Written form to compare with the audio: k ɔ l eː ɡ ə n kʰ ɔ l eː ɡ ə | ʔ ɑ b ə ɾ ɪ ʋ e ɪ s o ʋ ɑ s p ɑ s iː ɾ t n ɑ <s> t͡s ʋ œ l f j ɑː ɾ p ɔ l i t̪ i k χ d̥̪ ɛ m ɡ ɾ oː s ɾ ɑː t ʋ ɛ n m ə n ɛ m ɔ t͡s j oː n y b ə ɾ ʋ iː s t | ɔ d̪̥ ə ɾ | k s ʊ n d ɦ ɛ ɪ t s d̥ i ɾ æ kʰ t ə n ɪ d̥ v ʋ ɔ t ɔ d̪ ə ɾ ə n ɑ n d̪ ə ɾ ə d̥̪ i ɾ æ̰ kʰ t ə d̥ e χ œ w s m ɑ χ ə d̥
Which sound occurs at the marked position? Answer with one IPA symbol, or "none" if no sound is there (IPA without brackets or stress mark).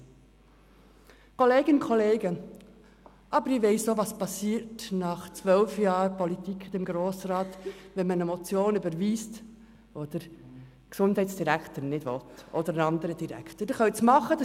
χ